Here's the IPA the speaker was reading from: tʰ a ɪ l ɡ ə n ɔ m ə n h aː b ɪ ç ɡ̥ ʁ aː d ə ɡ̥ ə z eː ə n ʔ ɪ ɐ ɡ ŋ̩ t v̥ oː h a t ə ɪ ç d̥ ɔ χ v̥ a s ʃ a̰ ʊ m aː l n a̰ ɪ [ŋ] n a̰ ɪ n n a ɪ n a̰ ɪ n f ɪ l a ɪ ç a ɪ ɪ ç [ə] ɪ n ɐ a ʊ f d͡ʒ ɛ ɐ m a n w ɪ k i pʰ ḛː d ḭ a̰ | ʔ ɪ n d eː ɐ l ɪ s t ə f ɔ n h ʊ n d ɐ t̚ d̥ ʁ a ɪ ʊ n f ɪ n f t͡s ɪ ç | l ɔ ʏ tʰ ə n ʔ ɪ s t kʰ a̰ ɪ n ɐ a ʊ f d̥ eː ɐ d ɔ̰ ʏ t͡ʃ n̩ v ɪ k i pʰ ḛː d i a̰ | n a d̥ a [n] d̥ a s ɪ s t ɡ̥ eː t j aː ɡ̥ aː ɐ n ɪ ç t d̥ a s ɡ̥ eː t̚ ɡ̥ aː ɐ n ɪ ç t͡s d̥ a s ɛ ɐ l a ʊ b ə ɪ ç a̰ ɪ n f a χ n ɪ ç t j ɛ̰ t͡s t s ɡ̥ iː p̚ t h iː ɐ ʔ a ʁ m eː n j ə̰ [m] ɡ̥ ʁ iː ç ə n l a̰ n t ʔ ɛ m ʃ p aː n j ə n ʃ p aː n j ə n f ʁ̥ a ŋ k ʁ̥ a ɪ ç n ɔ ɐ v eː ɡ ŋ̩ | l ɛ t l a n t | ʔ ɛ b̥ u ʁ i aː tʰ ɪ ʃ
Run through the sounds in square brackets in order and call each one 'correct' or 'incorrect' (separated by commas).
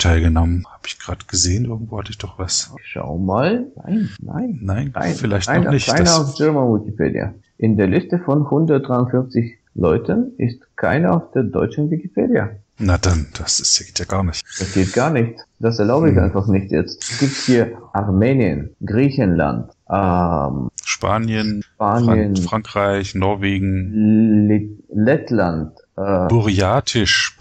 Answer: incorrect, incorrect, correct, incorrect